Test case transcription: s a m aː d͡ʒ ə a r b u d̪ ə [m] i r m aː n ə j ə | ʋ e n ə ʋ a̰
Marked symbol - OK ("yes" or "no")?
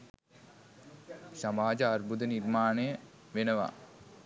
no